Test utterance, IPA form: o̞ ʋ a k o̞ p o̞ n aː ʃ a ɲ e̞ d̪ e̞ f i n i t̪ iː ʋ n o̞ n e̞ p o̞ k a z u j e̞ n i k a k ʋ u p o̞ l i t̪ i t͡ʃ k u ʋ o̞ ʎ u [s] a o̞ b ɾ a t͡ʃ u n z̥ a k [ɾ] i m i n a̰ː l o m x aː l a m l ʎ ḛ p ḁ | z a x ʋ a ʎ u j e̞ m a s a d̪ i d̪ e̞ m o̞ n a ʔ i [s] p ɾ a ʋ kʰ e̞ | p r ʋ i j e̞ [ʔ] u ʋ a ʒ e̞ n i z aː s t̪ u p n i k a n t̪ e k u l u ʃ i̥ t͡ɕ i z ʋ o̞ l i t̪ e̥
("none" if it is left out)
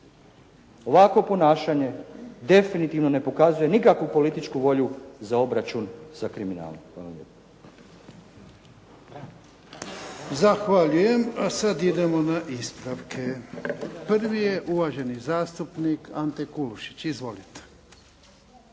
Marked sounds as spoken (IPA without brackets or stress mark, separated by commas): z, ɾ, s, ʔ